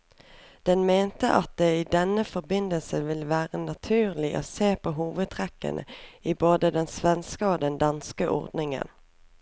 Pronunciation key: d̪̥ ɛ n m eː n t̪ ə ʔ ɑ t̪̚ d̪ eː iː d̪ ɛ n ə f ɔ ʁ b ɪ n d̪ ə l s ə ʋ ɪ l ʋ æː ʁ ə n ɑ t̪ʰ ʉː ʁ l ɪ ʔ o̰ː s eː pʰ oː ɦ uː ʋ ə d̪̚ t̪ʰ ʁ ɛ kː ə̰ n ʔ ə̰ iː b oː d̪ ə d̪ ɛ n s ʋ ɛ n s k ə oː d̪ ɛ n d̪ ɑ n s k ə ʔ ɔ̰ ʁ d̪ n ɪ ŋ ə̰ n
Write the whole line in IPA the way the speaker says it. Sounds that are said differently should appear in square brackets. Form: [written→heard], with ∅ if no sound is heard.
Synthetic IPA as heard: d̪̥ ɛ n m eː n t̪ ə ʔ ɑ t̪̚ d̪ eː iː d̪ ɛ n ə f ɔ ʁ b ɪ n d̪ ə l s ə ʋ ɪ l ʋ æː ʁ ə n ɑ t̪ʰ ʉː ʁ l ɪ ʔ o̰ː s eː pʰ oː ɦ uː ʋ ə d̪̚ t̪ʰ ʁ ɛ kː ə̰ n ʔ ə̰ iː b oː d̪ ə d̪ ɛ n s ʋ ɛ n s k ə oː d̪ ɛ n d̪ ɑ n s k ə ʔ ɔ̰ ʁ d̪ n ɪ ŋ ə̰ n